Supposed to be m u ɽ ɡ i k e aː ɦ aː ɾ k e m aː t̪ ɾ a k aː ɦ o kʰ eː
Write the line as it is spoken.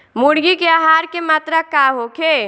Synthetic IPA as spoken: m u ɽ ɡ i k e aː ɦ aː ɾ k e m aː t̪ ɾ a k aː ɦ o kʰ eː